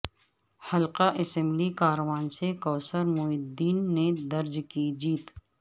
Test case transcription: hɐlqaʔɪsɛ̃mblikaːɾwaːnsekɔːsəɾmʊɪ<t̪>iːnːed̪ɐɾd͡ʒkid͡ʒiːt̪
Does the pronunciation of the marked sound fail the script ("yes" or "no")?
yes